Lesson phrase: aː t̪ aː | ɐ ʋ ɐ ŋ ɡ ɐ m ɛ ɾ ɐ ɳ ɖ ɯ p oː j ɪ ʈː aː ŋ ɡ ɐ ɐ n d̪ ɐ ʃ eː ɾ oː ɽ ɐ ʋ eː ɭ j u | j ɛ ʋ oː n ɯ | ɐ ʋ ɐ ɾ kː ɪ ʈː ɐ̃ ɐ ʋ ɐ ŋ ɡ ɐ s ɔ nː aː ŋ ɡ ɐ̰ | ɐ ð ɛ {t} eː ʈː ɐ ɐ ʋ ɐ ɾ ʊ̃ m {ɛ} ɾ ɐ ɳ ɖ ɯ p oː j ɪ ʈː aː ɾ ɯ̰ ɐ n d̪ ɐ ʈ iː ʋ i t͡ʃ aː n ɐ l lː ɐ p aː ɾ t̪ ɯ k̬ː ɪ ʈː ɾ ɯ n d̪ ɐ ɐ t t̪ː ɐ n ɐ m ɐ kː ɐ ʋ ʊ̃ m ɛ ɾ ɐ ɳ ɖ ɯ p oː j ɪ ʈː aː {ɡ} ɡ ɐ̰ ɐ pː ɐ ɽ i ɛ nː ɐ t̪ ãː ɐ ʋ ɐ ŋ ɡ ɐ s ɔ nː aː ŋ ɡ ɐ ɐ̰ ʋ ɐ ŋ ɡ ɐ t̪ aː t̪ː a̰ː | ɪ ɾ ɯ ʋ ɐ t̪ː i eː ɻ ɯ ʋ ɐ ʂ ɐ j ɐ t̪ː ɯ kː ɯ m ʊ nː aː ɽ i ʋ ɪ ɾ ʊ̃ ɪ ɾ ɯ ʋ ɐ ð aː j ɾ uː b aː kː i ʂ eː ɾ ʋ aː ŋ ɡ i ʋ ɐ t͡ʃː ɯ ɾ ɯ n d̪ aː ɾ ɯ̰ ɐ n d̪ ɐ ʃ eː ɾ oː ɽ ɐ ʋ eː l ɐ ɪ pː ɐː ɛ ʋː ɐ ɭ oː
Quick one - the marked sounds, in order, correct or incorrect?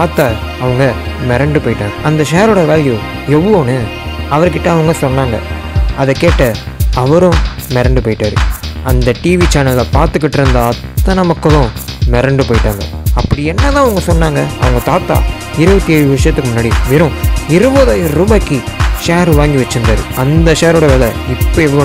incorrect: k, correct, incorrect: ŋ

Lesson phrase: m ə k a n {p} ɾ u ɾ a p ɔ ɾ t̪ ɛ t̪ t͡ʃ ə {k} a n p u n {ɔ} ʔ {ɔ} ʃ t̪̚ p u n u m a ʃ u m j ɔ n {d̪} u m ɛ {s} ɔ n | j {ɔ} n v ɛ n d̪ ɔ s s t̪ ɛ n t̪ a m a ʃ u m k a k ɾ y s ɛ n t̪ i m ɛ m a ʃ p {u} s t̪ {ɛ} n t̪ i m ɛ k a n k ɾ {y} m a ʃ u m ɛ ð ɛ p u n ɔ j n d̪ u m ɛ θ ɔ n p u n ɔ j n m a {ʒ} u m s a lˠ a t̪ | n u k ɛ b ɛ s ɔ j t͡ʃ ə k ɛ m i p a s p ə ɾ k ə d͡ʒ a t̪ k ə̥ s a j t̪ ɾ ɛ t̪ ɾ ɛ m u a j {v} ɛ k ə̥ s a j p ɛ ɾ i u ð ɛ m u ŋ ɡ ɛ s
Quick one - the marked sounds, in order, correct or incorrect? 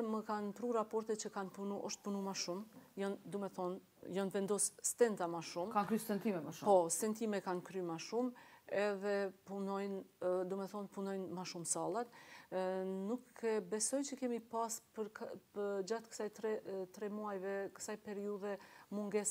correct, correct, incorrect: u, correct, correct, incorrect: θ, correct, incorrect: ɔ, correct, correct, incorrect: ʃ, correct

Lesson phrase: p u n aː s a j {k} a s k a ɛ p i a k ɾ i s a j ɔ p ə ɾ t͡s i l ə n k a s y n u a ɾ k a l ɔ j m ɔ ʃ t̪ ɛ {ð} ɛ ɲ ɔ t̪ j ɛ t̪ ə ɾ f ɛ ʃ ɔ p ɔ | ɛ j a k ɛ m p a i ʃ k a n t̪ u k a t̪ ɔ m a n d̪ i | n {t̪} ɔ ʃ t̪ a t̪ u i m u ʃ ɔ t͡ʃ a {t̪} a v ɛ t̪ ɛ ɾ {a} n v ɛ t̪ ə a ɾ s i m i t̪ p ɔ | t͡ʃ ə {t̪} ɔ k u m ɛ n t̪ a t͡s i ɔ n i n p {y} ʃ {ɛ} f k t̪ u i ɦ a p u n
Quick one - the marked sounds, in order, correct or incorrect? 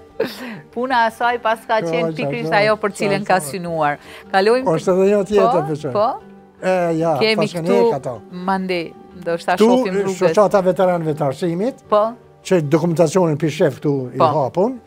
incorrect: p, correct, incorrect: d̪, correct, correct, incorrect: d̪, incorrect: i, correct

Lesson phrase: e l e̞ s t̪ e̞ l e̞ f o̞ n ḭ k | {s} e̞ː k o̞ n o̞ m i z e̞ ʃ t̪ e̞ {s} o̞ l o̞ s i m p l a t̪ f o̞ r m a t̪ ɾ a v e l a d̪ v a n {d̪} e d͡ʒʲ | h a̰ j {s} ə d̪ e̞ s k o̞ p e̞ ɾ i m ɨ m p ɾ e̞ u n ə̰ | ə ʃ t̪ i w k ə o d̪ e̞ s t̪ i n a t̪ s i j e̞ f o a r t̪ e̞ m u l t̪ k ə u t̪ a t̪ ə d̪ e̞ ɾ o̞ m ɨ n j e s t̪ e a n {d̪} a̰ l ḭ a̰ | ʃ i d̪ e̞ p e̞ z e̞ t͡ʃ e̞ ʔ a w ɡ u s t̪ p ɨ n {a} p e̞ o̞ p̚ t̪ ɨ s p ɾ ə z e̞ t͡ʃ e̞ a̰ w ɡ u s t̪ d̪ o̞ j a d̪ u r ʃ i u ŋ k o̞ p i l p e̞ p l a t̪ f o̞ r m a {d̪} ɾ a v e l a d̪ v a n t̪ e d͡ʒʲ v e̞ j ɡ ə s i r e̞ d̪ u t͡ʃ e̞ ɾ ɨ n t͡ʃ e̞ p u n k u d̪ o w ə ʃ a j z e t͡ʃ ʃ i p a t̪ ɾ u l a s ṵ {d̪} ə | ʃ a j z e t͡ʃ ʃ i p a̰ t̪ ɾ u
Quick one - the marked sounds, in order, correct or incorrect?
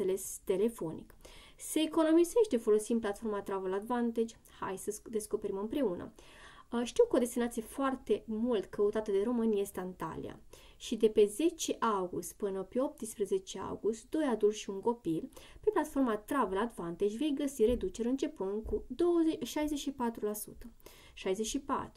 correct, incorrect: f, incorrect: t̪, correct, incorrect: t̪, incorrect: ə, incorrect: t̪, incorrect: t̪

